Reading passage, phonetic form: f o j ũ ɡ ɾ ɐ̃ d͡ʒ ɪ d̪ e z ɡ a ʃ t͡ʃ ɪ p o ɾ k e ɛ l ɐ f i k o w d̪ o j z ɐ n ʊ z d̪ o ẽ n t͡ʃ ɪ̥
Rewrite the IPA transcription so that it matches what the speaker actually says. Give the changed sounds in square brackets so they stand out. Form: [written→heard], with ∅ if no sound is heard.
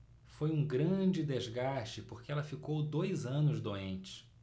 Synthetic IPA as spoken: f o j ũ ɡ ɾ ɐ̃ d͡ʒ ɪ d̪ e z ɡ a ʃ t͡ʃ ɪ p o ɾ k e ɛ l ɐ f i k o w d̪ o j z [ɐ→ɐ̃] n ʊ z d̪ o ẽ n t͡ʃ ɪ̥